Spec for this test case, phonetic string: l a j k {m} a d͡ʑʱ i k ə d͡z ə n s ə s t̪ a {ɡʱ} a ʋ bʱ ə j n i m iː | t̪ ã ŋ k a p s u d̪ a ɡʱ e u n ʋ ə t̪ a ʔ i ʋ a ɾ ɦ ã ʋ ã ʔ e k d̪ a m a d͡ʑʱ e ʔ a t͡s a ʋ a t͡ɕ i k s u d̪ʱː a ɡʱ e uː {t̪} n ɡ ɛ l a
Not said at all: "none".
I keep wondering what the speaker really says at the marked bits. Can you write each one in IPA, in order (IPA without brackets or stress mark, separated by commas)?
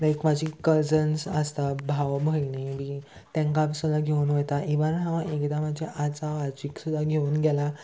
m, bʱ, none